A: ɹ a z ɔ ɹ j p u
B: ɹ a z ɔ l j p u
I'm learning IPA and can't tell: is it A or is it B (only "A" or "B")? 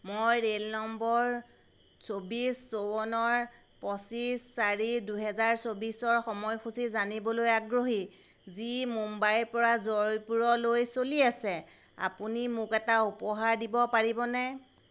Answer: A